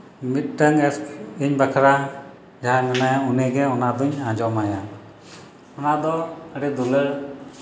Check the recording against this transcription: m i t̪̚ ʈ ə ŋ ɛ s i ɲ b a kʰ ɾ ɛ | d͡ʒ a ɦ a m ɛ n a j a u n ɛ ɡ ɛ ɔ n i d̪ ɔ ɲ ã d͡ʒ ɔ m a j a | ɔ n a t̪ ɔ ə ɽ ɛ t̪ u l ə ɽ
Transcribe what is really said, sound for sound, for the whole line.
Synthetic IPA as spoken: m i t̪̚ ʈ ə ŋ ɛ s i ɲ b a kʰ ɾ a | d͡ʒ a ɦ a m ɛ n a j a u n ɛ ɡ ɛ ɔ n a d̪ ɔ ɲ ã d͡ʒ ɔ m a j a | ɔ n a d̪ ɔ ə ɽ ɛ d̪ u l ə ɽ